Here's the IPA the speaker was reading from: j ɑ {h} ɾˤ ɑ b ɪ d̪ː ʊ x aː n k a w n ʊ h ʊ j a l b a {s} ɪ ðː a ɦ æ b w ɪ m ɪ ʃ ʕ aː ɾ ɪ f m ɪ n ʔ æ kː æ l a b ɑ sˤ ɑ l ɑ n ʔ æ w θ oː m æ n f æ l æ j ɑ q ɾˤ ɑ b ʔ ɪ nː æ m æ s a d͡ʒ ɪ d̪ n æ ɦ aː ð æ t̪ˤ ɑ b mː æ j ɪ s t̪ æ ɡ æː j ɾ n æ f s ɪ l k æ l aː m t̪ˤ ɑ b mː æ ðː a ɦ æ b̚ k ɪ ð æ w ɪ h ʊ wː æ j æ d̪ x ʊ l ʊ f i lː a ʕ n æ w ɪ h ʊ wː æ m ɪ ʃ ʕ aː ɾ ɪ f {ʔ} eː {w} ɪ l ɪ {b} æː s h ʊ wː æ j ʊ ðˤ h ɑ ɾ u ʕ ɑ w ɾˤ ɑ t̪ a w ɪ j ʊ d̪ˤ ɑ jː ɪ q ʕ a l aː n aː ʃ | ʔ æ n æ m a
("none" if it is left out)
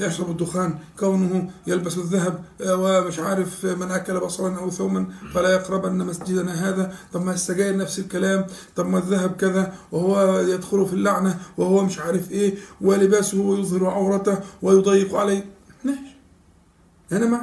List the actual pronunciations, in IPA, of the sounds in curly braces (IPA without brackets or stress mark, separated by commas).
ʃ, s, ʔ, w, b